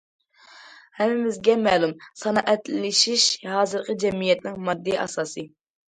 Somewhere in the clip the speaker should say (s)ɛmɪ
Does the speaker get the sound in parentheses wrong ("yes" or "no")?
yes